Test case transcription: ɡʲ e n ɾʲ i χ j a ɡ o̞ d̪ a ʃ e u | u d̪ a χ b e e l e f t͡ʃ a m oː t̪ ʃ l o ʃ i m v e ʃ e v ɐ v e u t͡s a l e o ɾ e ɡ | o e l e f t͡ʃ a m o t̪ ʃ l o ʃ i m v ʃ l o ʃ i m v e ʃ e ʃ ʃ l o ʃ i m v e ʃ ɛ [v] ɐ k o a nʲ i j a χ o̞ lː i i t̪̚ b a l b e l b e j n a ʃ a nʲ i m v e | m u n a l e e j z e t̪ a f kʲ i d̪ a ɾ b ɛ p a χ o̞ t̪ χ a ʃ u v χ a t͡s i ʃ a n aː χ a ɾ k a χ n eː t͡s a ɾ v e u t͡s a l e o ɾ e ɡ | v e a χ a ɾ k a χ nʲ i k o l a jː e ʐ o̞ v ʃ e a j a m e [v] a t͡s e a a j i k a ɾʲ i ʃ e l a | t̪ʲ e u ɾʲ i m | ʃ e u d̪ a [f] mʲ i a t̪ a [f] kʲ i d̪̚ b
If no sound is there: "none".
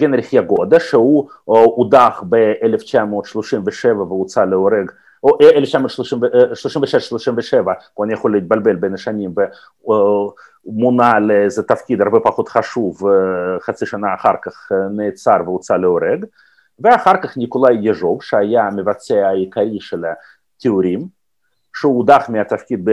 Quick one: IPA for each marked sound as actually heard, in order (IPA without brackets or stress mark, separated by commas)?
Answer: v, v, χ, f